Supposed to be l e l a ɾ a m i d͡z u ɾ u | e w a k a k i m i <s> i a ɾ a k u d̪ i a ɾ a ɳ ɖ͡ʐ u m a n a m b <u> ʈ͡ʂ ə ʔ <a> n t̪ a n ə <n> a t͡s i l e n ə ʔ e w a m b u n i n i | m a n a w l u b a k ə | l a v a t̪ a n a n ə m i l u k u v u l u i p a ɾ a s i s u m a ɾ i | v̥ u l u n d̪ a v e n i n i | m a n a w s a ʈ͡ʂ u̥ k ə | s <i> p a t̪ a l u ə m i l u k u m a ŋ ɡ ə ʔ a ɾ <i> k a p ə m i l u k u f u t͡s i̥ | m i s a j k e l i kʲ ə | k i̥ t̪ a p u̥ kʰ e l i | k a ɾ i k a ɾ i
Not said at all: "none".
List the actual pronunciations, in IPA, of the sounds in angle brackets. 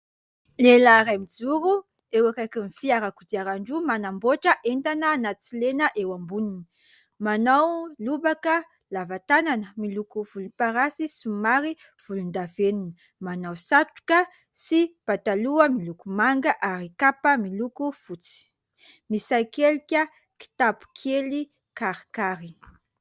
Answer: f, o, e, n, i, i

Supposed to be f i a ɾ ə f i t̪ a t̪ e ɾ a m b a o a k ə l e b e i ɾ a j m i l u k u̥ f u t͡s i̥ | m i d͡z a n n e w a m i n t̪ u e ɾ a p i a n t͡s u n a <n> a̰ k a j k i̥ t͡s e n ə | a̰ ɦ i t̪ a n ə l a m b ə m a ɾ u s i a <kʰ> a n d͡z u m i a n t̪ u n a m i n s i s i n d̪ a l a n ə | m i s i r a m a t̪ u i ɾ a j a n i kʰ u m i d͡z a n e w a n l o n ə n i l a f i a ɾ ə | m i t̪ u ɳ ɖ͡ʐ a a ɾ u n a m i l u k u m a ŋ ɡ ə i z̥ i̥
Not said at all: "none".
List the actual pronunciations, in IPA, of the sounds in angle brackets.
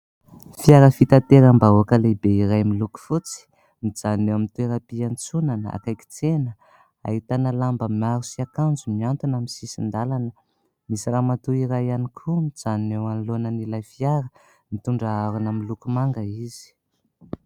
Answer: n, k

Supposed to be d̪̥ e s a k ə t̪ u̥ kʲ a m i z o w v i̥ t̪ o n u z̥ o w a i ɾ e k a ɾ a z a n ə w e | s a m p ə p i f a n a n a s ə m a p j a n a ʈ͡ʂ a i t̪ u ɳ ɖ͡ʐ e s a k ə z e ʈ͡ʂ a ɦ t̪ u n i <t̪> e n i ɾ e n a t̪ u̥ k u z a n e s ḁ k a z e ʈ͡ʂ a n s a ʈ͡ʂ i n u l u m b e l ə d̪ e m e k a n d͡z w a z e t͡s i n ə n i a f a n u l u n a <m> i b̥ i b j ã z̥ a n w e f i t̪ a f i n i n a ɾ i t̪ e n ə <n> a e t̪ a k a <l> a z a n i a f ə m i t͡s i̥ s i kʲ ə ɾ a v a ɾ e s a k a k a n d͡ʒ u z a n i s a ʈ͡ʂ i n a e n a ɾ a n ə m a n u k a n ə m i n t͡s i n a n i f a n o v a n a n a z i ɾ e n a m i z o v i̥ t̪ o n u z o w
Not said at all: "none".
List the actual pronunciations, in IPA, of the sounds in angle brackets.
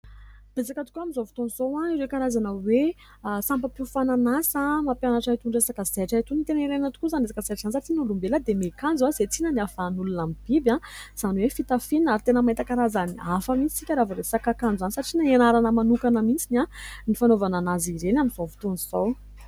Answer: t̪, m, m, ɾ

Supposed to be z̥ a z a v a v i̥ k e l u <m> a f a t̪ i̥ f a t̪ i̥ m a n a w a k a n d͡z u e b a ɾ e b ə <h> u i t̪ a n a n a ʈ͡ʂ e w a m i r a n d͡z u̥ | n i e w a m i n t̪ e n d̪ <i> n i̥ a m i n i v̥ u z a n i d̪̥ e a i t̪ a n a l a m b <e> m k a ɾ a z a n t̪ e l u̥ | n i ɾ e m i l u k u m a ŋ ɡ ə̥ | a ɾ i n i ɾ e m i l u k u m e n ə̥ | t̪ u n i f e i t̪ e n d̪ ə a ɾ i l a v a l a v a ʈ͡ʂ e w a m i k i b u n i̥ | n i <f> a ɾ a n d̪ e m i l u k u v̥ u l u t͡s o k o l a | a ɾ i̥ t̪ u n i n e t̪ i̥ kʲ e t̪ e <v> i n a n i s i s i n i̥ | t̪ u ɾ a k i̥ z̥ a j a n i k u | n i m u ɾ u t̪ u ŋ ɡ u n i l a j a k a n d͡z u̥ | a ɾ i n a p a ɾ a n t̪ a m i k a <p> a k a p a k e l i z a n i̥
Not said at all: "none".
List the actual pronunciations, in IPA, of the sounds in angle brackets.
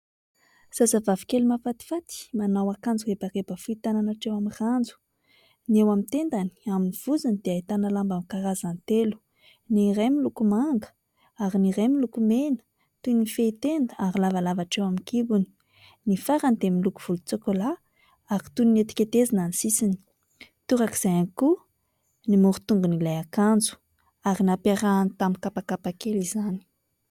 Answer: m, f, a, a, f, z, p

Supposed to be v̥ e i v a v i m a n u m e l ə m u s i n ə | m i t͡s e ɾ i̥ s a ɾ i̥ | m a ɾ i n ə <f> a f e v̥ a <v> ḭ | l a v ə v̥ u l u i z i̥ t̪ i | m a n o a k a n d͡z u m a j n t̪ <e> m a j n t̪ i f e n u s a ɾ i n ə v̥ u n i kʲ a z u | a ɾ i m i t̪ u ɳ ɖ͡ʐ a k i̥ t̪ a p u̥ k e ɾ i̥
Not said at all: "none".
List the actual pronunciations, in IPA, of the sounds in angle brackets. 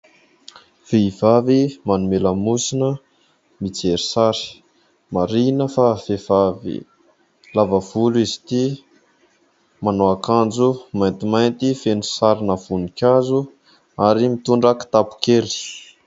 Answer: f, v, i

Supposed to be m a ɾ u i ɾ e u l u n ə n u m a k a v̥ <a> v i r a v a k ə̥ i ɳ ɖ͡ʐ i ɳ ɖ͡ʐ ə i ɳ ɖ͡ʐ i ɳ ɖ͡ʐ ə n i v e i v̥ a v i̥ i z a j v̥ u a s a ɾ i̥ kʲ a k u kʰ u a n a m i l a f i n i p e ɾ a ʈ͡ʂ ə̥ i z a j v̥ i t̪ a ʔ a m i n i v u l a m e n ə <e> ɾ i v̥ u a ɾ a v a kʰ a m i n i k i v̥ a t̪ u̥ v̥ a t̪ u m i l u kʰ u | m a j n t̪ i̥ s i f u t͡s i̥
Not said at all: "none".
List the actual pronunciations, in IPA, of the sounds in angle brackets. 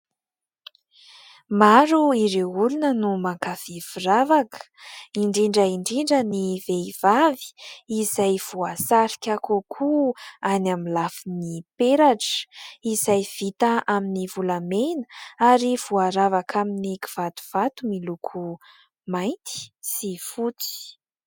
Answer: i, a

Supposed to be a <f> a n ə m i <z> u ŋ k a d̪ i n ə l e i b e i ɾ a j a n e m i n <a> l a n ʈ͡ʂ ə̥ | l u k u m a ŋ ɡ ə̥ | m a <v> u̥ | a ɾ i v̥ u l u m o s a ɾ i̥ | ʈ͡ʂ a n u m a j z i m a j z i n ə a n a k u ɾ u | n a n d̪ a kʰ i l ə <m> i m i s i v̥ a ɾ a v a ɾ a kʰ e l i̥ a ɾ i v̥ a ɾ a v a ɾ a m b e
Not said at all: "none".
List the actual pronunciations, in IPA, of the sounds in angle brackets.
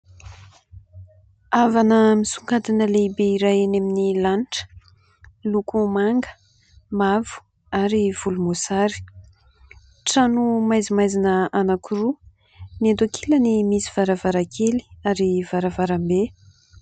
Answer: v, s, i, v, n

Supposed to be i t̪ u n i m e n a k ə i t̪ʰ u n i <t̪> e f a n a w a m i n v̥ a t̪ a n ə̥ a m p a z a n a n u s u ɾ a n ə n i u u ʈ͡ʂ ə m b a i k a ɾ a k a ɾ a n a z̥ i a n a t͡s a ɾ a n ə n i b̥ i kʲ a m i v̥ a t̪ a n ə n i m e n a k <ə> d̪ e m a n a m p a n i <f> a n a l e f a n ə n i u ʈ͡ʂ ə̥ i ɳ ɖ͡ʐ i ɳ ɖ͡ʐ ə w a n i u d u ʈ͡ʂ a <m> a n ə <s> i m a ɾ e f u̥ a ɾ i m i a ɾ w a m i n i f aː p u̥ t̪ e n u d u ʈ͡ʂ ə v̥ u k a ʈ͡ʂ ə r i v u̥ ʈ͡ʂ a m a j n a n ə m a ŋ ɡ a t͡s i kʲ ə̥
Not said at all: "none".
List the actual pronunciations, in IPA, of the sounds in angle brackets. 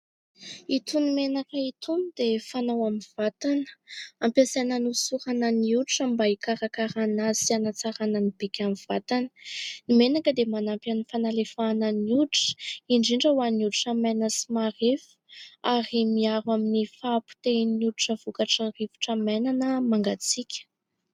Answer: d̪, ə, f, m, s

